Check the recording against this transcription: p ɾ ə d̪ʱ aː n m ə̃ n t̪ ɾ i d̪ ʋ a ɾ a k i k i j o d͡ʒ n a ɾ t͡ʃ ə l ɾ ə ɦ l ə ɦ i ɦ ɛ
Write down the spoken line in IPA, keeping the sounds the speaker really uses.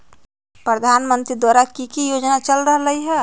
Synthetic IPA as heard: p ɾ ə d̪ʱ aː n m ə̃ n t̪ ɾ i d̪ w a ɾ a k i k i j o d͡ʒ n a t͡ʃ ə l ɾ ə ɦ l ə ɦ i ɦ ɛ